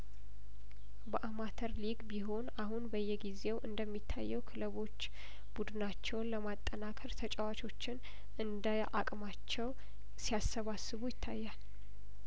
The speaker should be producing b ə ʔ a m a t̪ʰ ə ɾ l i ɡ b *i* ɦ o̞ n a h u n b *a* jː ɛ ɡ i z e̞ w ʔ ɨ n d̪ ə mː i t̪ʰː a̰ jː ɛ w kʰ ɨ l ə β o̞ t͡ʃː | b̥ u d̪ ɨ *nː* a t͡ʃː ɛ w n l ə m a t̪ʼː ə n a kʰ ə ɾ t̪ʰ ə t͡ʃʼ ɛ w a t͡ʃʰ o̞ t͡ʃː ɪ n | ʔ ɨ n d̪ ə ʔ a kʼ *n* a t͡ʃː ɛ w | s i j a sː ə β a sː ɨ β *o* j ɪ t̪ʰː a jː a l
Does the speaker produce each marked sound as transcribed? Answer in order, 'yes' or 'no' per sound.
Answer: yes, no, no, no, no

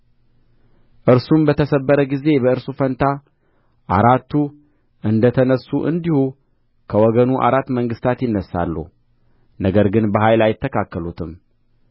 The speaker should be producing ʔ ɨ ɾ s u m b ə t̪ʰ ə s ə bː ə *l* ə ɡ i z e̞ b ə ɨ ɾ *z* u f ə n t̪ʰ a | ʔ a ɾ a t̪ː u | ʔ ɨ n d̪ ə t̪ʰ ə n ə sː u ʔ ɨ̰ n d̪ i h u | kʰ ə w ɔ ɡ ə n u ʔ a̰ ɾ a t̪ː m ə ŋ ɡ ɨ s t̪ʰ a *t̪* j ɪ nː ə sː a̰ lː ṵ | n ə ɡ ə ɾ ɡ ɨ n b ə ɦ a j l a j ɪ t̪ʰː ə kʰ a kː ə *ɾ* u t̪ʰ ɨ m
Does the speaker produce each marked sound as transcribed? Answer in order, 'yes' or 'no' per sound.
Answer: no, no, yes, no

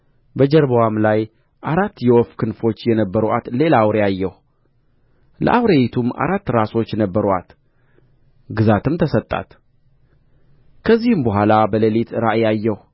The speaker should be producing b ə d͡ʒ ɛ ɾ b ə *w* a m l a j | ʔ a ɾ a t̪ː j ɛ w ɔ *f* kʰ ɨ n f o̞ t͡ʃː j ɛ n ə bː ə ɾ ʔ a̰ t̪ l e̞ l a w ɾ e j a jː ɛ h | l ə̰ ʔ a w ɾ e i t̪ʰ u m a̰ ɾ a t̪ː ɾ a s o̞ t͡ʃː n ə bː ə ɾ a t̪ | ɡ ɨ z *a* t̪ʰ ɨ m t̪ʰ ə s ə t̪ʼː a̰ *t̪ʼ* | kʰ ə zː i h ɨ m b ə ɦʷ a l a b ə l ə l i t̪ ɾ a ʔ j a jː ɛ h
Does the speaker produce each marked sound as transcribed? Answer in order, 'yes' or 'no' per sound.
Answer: yes, yes, yes, no

